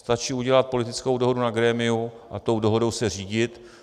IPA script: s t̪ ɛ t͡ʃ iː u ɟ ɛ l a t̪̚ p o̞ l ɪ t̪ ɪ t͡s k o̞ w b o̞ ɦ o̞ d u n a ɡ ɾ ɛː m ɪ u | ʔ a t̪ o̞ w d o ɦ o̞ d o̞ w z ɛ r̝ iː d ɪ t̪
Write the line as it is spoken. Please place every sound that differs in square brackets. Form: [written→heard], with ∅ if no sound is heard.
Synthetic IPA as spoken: s t̪ [ɛ→a] t͡ʃ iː u ɟ ɛ l a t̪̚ p o̞ l ɪ t̪ ɪ t͡s k o̞ w [b→d] o̞ ɦ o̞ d u n a ɡ ɾ ɛː m ɪ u | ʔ a t̪ o̞ w d o ɦ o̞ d o̞ w [z→s] ɛ r̝ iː [d→ɟ] ɪ t̪